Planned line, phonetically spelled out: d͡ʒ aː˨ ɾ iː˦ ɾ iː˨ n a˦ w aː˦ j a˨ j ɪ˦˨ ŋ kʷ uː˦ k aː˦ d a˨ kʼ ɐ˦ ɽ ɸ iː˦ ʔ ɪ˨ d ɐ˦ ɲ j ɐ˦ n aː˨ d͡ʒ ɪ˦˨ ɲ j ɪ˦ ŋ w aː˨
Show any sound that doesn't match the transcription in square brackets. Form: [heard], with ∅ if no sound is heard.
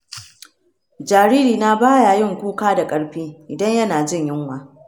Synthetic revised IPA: d͡ʒ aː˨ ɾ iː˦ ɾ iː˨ n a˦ [b] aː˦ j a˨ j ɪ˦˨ ŋ kʷ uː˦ k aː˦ d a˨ kʼ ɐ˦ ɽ ɸ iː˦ ʔ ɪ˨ d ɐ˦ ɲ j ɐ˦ n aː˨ d͡ʒ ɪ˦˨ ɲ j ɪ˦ ŋ w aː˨